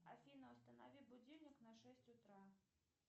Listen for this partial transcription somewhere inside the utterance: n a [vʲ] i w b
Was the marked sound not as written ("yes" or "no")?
no